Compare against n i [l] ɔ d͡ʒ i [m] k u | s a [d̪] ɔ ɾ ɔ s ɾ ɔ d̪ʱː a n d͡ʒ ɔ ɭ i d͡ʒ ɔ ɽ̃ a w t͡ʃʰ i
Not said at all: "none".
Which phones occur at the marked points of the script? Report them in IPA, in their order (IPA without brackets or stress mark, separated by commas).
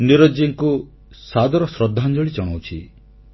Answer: ɾ, ŋ, d̪